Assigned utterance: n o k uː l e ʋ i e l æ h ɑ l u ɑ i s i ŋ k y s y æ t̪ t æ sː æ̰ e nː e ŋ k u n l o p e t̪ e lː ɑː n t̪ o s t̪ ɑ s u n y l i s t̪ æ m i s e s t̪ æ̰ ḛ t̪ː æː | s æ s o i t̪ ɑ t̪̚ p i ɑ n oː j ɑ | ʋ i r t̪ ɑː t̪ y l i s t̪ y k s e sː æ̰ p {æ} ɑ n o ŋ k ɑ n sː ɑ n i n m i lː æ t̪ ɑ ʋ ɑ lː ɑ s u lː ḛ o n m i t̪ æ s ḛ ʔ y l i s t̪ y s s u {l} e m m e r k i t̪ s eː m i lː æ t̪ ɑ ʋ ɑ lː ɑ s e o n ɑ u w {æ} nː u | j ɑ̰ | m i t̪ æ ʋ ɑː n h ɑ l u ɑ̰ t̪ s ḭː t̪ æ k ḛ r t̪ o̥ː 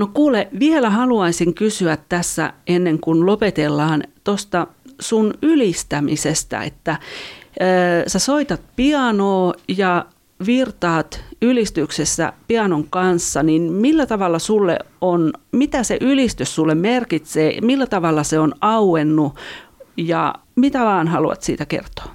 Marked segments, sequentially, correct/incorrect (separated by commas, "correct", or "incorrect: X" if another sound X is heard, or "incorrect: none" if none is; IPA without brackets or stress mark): incorrect: i, incorrect: lː, incorrect: e